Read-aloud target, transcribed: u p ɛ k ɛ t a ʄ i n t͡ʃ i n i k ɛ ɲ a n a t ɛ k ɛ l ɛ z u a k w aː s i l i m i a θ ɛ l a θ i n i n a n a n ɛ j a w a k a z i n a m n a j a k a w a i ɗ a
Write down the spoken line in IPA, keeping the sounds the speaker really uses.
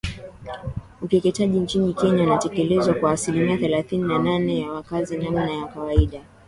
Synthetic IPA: u k ɛ k ɛ t a ʄ i n t͡ʃ i n i k ɛ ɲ a n a t ɛ k ɛ l ɛ z w a k w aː s i l i m i a θ ɛ l a θ i n i n a n a n ɛ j a w a k a z i n a m n a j a k a w a i ɗ a